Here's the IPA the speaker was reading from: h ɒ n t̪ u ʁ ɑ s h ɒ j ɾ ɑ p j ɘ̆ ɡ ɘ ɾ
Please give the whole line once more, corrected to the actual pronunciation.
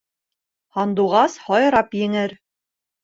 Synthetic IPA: h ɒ n d̪ u ʁ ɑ s h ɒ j ɾ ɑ p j ɘ̆ ŋ ɘ ɾ